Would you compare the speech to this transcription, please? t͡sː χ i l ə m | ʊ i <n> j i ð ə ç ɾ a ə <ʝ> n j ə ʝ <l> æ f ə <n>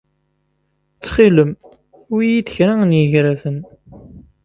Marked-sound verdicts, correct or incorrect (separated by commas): incorrect, incorrect, incorrect, correct